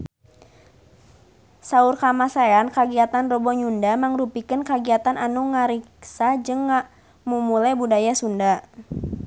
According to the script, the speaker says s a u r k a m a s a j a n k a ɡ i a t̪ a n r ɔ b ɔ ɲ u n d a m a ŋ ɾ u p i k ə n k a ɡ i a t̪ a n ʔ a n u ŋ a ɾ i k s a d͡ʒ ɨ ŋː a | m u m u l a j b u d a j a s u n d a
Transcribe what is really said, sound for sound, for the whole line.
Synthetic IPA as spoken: s a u r k a m a s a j a n k a ɡ i a t̪ a n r ɔ b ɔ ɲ u n d a m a ŋ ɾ u p i k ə n k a ɡ i a t̪ a n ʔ a n u ŋ a ɾ i k s a d͡ʒ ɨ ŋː a | m u m u l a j b u d a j a s u n d a